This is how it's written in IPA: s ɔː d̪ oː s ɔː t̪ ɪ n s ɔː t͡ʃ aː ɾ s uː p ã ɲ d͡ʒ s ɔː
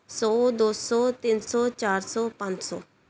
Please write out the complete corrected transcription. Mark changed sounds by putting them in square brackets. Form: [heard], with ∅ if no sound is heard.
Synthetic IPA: s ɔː d̪ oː s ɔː t̪ ɪ n s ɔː t͡ʃ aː ɾ s [ɔː] p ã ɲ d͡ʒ s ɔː